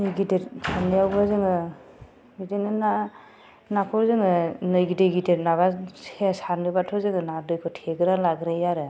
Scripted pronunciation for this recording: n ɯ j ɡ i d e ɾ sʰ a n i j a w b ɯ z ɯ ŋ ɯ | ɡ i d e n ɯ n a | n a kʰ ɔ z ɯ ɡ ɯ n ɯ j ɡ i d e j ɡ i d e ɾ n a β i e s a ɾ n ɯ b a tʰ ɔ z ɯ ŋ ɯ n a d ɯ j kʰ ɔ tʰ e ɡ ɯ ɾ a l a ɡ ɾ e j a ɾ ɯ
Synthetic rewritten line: n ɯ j ɡ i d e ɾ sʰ a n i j a w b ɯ z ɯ ŋ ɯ | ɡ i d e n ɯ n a | n a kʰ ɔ z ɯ ŋ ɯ n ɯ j ɡ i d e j ɡ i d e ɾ n a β a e s a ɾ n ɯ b a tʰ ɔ z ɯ ŋ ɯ n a d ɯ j kʰ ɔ tʰ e ɡ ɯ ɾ a l a ɡ ɾ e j a ɾ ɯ